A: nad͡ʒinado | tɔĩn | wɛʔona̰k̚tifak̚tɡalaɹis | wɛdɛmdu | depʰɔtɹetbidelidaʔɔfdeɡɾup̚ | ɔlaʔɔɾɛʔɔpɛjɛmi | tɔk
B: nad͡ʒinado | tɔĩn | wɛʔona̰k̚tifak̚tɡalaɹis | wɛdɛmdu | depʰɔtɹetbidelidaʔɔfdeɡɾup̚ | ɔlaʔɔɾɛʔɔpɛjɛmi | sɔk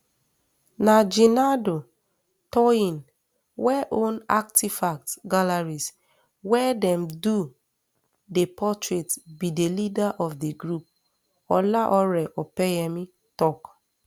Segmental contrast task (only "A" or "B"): A